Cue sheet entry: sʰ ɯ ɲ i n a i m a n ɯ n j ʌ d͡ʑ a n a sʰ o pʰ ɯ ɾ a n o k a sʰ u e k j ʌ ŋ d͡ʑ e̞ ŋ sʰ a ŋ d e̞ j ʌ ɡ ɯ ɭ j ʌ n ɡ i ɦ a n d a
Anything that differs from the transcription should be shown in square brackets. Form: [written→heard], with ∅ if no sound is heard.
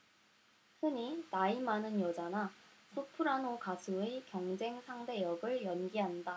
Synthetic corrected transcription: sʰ ɯ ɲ i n a i m a n ɯ n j ʌ d͡ʑ a n a sʰ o pʰ ɯ ɾ a n o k a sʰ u e k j ʌ ŋ d͡ʑ e̞ ŋ sʰ a ŋ d e̞ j ʌ ɡ ɯ ɭ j ʌ n ɡ i ɦ a n d a